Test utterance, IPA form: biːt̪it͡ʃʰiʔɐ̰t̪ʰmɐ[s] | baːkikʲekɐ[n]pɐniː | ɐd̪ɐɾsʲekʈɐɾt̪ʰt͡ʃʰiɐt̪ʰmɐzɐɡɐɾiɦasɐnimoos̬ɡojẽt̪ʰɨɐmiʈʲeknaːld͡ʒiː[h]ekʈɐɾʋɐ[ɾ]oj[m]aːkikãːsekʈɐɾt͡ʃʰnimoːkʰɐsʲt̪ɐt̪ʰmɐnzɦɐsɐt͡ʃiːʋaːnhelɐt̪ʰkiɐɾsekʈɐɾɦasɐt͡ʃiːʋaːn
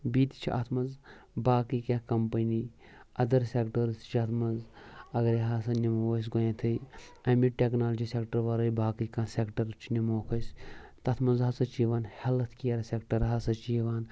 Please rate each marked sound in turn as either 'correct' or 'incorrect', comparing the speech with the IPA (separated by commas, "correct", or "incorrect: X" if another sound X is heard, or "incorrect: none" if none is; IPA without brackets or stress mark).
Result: incorrect: z, incorrect: m, incorrect: s, correct, incorrect: b